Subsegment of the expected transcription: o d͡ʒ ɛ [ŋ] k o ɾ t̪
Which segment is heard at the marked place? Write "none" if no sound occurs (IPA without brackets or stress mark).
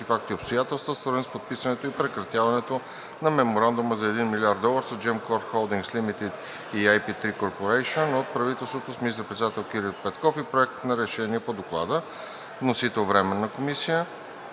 m